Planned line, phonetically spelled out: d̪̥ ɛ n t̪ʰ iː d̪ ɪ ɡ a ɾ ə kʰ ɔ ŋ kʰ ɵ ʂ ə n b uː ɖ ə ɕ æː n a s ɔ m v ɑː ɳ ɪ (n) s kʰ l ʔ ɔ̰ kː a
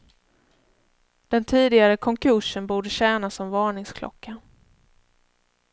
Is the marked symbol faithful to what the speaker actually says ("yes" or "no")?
no